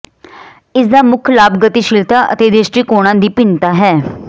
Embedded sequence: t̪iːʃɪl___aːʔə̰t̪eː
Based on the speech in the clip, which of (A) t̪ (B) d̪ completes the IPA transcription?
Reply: A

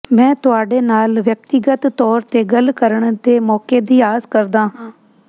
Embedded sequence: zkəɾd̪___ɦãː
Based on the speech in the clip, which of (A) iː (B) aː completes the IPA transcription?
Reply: B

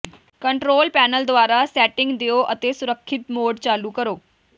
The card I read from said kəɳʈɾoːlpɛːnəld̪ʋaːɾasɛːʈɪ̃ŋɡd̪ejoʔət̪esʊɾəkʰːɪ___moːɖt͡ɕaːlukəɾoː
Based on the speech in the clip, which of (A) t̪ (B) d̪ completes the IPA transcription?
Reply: A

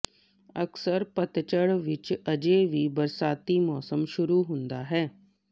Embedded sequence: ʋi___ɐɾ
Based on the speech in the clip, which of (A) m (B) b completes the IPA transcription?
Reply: B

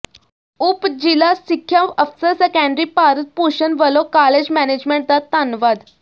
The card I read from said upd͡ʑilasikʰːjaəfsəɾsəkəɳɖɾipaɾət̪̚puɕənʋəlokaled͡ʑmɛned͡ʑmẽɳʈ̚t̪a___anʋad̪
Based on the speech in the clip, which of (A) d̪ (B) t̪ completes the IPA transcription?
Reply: B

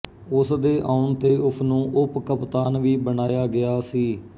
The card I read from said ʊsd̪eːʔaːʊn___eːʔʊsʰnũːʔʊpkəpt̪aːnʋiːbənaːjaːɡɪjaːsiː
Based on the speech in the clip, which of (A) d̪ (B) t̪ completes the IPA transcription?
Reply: B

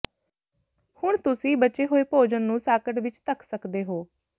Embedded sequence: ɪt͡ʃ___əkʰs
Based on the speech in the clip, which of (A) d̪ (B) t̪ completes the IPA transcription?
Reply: B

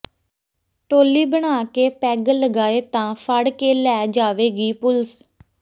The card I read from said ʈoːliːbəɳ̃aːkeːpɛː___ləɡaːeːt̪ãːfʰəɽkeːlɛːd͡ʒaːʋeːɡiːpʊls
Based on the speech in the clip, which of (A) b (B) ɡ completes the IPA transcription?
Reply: B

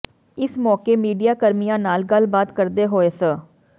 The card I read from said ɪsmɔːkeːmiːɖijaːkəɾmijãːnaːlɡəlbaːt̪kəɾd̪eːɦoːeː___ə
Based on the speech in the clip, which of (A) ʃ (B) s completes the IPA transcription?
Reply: B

